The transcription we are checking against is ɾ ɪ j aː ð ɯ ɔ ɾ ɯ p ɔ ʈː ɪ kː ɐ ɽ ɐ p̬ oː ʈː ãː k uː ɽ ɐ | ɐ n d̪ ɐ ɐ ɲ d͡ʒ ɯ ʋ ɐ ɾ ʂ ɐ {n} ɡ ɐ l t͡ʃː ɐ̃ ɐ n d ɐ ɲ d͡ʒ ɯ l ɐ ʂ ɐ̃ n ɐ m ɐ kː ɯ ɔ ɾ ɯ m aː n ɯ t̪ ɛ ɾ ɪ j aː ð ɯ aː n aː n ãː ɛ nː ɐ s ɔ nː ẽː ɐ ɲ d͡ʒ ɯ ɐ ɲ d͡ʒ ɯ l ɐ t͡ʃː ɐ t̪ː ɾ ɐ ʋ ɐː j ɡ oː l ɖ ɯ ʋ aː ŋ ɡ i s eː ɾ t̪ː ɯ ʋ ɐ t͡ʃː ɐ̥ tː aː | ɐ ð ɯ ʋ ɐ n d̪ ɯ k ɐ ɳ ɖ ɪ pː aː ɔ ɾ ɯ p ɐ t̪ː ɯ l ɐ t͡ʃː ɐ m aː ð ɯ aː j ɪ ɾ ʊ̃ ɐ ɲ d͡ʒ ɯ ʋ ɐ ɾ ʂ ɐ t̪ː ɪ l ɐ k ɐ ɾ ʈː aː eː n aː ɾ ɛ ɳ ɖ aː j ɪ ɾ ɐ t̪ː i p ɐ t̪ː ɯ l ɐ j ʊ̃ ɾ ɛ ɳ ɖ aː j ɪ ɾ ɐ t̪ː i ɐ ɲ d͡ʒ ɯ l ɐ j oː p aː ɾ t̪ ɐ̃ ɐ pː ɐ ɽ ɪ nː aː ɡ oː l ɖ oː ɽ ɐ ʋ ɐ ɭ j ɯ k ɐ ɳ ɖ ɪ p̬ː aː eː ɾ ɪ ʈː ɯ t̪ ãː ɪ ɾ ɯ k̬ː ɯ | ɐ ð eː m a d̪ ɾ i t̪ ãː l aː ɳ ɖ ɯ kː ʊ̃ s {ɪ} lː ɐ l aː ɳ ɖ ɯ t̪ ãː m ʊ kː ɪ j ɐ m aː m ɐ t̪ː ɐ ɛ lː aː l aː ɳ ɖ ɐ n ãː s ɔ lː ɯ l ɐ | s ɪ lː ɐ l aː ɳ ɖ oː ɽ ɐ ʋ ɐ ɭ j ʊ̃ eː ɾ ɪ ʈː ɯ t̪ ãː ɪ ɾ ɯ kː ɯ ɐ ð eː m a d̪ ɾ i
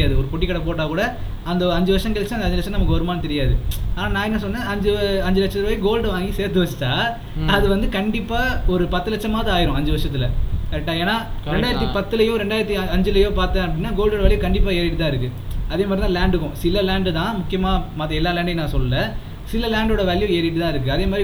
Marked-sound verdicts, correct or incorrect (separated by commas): incorrect, correct